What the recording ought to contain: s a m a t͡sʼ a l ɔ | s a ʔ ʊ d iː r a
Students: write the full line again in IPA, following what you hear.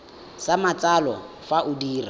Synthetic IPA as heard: s a m a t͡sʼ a l ɔ | f a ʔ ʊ d iː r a

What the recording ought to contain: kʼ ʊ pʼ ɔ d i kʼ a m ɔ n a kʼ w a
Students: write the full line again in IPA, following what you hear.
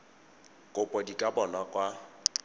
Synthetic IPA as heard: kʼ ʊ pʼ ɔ d i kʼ a b ɔ n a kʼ w a

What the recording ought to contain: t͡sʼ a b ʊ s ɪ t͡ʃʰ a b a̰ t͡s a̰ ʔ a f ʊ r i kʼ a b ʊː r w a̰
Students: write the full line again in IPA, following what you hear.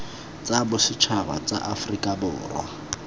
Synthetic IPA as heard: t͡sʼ a b ʊ s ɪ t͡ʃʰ a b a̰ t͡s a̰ ʔ a f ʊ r i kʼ a b ʊː r w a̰

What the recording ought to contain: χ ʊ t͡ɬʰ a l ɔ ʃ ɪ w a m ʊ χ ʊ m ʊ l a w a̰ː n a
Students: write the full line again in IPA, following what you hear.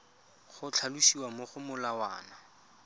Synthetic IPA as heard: χ ʊ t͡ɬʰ a l u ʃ i w a m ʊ χ ʊ m ʊ l a w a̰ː n a

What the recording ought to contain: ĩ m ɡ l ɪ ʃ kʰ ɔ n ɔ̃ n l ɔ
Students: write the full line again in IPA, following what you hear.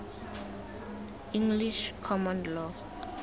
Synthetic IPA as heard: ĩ ŋ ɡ l i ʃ kʰ ɔ m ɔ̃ n l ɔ

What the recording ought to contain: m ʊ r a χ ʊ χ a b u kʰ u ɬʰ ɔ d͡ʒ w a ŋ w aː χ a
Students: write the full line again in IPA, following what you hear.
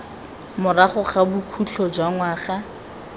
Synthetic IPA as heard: m ʊ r a χ ʊ χ a b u kʰ u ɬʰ ɔ d͡ʒ w a ŋ w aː χ a

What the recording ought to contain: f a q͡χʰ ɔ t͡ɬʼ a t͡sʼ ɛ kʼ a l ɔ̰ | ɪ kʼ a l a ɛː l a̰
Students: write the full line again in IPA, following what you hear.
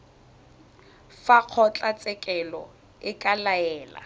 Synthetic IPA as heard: f a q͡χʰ ɔ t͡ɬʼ a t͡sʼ ɛ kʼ ɛ l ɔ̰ | ɪ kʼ a l a ɛː l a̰

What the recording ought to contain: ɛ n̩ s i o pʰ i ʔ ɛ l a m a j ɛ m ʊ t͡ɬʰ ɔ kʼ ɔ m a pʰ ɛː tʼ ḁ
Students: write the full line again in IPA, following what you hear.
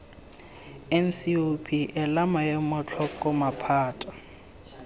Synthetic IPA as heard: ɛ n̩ s i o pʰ i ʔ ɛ l a m a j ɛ m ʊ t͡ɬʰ ɔ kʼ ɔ m a pʰ aː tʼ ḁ

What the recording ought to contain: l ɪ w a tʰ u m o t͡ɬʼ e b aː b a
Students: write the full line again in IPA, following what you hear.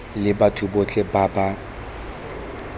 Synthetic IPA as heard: l ɪ b a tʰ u b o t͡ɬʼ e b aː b a

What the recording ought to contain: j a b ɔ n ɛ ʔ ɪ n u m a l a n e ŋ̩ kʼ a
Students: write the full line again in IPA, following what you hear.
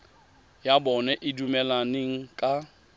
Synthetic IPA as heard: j a b ɔ n ɛ ʔ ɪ d u m ɛ l a n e ŋ̩ kʼ a

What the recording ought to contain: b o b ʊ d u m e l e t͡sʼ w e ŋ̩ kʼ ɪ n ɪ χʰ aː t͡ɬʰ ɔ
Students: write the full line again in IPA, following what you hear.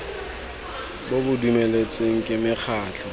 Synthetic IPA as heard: b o b ʊ d u m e l e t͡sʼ w e ŋ̩ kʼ ɪ m ɪ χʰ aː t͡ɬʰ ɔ

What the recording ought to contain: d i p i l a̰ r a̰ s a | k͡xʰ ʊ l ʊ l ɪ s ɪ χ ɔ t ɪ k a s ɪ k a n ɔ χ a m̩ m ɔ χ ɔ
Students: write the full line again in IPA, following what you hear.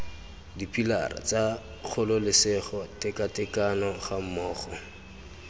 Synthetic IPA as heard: d i p i l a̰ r a̰ t͡s a | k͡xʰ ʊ l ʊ l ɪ s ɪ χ ɔ t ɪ k a t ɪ k a n ɔ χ a m̩ m ɔː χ ɔ

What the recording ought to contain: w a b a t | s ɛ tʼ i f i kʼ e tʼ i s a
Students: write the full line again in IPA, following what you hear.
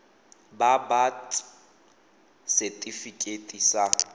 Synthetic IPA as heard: b a b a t | s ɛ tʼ i f i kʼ e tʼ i s a

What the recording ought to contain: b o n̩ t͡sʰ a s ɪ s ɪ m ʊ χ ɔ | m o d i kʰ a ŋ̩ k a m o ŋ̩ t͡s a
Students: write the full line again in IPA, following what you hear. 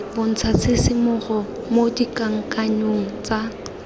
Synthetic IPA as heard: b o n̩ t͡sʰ a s ɪ s ɪ m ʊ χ ɔ | m o d i k a ŋ̩ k a ɲ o ŋ̩ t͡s a

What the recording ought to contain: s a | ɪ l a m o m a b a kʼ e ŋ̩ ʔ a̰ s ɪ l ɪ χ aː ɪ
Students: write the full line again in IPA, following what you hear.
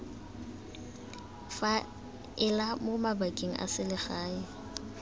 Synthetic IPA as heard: f a | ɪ l a m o m a b a kʼ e ŋ̩ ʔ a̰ s ɪ l ɪ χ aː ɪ

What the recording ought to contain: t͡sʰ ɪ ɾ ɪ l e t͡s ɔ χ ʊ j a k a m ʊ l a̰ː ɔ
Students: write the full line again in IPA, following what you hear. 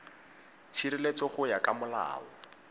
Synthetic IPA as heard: t͡sʰ i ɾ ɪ l e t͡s ɔ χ ʊ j a k a m ʊ l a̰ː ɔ

